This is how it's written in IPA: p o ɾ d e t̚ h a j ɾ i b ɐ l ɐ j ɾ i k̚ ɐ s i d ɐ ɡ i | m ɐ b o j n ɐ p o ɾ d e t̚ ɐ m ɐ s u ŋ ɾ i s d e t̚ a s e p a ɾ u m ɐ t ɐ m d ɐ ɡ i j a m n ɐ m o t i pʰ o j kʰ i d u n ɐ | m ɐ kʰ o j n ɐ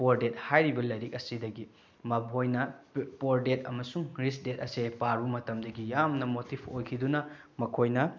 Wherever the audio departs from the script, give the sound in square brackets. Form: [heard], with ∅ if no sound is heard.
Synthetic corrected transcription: p o ɾ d e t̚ h a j ɾ i b ɐ l ɐ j ɾ i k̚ ɐ s i d ɐ ɡ i | m ɐ b o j n ɐ p o ɾ d e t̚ ɐ m ɐ s u ŋ ɾ i s d e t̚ [ɐ] s e p a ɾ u m ɐ t ɐ m d ɐ ɡ i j a m n ɐ m o t i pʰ o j kʰ i d u n ɐ | m ɐ kʰ o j n ɐ